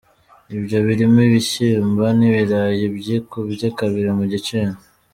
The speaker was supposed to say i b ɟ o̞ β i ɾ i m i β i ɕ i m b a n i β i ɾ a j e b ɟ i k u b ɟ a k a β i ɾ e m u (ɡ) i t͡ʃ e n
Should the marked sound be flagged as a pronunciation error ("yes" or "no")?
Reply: yes